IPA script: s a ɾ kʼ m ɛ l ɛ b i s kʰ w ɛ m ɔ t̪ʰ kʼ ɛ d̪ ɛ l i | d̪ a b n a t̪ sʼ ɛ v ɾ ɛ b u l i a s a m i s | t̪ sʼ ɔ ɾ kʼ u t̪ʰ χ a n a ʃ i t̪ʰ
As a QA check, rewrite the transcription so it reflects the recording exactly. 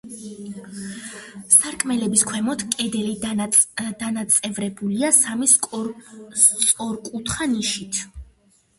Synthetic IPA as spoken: s a ɾ kʼ m ɛ l ɛ b i s kʰ w ɛ m ɔ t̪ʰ kʼ ɛ d̪ ɛ l i | d̪ a n a t̪ sʼ ɛ v ɾ ɛ b u l i a s a m i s | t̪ sʼ ɔ ɾ kʼ u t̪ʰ χ a n i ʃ i t̪ʰ